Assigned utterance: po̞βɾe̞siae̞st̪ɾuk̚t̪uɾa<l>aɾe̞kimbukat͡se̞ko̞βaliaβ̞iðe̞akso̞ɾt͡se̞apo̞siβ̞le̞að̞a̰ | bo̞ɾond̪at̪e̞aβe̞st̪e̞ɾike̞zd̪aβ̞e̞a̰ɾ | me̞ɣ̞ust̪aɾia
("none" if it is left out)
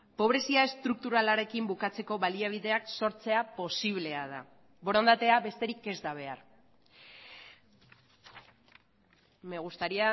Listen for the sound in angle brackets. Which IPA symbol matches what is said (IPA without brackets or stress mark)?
l